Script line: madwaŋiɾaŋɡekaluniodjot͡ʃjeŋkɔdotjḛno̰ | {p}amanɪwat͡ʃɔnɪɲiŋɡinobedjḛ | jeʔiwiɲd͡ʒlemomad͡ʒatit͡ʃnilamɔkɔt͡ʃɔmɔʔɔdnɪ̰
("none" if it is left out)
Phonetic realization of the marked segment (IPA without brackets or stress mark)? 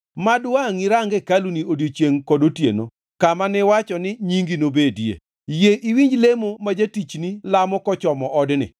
k